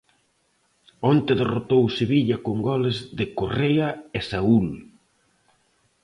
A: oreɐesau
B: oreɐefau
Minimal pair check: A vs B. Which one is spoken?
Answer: A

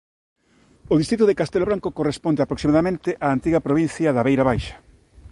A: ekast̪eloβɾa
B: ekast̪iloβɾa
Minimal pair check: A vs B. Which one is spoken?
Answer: A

